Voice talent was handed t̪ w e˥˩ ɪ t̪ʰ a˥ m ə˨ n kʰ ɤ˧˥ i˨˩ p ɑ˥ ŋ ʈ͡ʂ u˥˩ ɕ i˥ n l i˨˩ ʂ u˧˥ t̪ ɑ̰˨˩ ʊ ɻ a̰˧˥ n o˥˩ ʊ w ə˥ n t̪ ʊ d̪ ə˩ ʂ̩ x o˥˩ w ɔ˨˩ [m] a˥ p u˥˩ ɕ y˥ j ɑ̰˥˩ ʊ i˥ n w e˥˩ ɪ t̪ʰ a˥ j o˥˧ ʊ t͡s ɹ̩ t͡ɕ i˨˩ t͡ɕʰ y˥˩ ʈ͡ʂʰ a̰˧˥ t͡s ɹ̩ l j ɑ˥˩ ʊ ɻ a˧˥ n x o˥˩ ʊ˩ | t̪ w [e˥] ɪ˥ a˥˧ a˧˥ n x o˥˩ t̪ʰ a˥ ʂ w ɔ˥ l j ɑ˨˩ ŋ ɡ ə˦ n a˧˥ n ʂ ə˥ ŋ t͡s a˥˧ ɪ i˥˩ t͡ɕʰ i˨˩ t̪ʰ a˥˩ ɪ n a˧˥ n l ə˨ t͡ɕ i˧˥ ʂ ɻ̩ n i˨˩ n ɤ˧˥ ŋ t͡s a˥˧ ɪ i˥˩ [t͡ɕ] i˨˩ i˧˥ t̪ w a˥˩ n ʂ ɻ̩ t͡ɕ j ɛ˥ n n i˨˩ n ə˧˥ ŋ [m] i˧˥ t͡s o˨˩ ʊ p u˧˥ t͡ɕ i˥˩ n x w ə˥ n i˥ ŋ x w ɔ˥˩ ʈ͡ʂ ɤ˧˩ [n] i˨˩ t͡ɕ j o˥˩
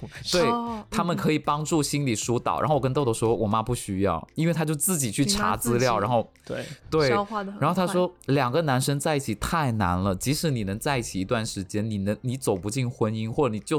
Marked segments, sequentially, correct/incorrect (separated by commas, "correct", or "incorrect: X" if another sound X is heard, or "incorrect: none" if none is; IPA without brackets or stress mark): correct, incorrect: e˥˩, incorrect: t͡ɕʰ, incorrect: n, correct